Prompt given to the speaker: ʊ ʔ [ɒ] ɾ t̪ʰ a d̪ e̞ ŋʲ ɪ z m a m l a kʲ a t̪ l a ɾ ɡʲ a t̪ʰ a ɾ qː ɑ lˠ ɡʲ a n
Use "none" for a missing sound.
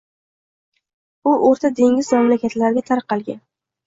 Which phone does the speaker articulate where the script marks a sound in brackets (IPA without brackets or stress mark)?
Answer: o